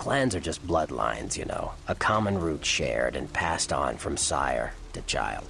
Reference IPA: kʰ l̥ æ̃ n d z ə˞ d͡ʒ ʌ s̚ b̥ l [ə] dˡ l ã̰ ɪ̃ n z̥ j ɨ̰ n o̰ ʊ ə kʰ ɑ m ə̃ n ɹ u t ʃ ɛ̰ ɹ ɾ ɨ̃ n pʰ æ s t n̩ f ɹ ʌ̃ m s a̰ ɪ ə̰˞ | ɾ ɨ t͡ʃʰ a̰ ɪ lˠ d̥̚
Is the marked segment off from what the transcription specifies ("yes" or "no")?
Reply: yes